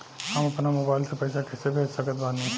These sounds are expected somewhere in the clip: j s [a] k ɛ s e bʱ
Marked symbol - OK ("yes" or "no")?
yes